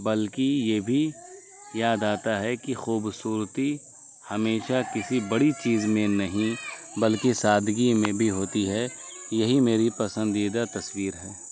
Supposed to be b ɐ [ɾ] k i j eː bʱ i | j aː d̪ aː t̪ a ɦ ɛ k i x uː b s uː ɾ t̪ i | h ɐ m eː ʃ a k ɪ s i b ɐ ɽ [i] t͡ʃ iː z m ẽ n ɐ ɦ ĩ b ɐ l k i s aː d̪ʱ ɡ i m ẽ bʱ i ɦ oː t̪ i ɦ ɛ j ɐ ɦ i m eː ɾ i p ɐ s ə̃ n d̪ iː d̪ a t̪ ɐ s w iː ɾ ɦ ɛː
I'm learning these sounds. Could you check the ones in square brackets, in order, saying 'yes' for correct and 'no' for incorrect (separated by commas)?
no, yes